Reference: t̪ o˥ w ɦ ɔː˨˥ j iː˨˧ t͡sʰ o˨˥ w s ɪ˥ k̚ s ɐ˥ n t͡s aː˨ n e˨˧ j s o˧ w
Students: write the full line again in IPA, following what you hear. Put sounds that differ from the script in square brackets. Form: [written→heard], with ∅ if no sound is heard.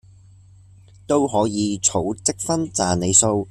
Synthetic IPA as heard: t̪ o˥ w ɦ ɔː˨˥ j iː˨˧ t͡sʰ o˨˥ w [s→t͡s] ɪ˥ k̚ [s→f] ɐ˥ n t͡s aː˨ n e˨˧ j s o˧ w